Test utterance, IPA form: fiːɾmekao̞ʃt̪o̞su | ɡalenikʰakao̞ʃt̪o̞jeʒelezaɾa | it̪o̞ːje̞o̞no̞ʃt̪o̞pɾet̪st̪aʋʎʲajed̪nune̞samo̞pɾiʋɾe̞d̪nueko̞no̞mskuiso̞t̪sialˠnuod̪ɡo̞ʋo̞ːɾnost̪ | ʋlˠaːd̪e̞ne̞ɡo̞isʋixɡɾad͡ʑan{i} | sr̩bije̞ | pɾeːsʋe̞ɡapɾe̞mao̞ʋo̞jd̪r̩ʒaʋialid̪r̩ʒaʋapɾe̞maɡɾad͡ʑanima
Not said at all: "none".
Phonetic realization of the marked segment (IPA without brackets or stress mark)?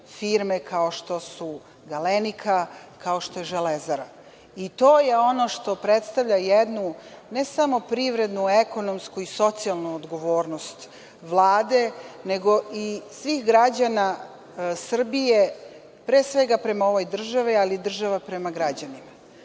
a